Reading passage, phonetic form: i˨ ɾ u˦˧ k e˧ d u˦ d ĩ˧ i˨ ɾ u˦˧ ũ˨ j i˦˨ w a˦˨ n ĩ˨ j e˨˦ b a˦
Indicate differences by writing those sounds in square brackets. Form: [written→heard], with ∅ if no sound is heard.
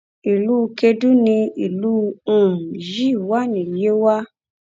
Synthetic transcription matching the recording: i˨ [ɾ→l] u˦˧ k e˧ d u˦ [d→n] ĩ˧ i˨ [ɾ→l] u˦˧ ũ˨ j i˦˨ w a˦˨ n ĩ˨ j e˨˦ [b→w] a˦

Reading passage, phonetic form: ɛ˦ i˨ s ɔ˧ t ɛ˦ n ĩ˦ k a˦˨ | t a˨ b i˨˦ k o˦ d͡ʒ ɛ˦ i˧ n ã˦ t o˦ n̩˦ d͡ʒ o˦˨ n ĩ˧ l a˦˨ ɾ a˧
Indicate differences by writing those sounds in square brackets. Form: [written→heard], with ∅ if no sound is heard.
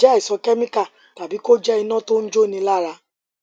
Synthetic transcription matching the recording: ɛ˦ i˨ s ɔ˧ [t→k] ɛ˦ [n→m] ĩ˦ k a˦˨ | t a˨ b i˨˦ k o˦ d͡ʒ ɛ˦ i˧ n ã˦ t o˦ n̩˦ d͡ʒ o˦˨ n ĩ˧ l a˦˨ ɾ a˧

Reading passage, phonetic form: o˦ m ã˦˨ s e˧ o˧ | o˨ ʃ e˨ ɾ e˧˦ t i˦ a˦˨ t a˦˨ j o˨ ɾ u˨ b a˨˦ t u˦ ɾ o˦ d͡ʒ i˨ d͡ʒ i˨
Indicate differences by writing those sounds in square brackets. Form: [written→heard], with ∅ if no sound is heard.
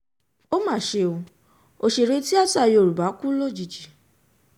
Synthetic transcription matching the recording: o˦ m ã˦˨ [s→ʃ] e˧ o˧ | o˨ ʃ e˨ ɾ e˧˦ t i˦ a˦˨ t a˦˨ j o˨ ɾ u˨ b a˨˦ [t→k] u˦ [ɾ→l] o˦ d͡ʒ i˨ d͡ʒ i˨

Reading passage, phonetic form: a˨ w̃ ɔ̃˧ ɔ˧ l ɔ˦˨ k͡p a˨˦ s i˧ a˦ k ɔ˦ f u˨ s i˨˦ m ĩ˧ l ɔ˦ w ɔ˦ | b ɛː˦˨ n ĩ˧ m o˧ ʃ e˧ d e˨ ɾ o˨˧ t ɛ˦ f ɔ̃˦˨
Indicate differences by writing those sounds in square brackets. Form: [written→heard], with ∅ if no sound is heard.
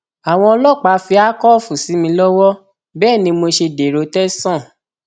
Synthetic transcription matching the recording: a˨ w̃ ɔ̃˧ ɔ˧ l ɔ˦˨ k͡p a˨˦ [s→f] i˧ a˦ k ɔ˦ f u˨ s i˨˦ m ĩ˧ l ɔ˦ w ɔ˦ | b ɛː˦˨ n ĩ˧ m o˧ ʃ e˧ d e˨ ɾ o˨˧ t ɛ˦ [f→s] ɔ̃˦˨

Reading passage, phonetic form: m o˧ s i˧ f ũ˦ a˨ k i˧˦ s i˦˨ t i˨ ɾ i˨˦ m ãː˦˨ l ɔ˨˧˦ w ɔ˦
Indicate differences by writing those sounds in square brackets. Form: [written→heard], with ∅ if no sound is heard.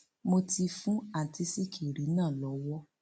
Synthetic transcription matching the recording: m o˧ [s→t] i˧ f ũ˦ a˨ [k→t] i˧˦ s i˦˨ [t→k] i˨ ɾ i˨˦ [m→n] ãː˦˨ l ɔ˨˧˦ w ɔ˦

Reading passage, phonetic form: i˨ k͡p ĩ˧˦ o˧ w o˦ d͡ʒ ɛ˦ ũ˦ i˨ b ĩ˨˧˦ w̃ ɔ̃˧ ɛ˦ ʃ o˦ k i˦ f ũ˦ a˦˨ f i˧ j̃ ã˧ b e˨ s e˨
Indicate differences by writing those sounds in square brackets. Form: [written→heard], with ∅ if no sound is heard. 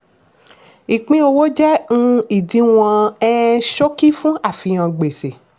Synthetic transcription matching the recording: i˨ k͡p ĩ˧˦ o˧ w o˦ d͡ʒ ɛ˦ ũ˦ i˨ [b→d] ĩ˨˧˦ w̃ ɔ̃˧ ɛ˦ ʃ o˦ k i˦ f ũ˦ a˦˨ f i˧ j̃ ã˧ [b→ɡ͡b] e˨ s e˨

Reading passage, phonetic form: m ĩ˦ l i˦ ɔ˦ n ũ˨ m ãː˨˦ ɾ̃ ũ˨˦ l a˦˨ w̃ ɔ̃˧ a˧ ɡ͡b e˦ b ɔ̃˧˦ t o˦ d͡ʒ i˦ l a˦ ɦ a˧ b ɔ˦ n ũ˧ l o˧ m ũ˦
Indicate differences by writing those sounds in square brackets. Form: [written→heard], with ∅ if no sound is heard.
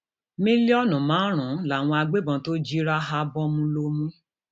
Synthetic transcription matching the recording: m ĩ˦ l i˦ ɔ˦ n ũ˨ m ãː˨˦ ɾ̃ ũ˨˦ l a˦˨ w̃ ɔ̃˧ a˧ ɡ͡b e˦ b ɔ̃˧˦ t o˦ d͡ʒ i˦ [l→ɾ] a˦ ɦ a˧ b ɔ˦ [n→m] ũ˧ l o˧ m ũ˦

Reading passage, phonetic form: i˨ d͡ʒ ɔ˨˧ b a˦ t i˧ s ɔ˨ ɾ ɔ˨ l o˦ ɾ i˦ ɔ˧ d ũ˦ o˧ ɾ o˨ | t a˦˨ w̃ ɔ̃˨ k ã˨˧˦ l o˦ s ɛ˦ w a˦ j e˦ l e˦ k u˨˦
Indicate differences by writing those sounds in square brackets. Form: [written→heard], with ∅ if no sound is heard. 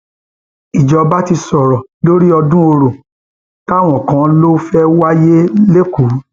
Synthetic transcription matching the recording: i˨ d͡ʒ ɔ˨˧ b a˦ t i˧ s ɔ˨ ɾ ɔ˨ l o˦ ɾ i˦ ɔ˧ d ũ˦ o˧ ɾ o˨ | t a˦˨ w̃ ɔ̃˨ k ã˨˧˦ l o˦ [s→f] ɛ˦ w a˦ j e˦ l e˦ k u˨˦

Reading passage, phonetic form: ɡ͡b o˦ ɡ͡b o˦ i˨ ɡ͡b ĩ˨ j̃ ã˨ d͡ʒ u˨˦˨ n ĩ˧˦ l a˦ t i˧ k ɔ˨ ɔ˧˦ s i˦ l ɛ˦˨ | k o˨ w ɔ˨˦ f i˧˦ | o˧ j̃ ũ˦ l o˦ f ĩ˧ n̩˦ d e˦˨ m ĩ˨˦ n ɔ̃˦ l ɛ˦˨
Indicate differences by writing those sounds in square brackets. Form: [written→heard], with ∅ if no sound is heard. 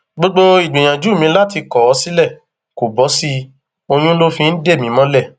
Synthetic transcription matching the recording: ɡ͡b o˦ ɡ͡b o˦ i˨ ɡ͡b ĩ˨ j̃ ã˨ d͡ʒ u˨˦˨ [n→m] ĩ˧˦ l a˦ t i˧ k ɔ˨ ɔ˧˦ s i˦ l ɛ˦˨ | k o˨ [w→b] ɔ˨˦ [f→s] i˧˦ | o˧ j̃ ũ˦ l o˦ f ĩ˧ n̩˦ d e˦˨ m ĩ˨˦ [n→m] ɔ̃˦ l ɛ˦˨

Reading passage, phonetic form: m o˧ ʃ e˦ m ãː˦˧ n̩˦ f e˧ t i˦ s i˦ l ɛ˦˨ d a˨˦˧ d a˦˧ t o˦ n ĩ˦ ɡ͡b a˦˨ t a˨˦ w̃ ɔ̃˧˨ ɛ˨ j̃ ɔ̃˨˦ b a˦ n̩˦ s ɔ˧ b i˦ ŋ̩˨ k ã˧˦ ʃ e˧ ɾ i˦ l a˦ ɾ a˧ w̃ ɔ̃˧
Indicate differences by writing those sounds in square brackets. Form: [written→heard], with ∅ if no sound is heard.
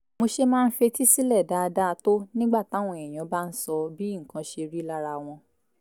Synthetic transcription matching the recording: m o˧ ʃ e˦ m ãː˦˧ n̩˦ f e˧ t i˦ s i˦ l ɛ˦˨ d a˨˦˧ d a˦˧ t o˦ n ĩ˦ ɡ͡b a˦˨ t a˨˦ w̃ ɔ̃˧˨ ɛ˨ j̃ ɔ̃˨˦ b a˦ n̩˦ s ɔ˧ b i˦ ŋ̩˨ k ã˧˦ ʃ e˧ ɾ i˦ l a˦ ɾ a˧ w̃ ɔ̃˧

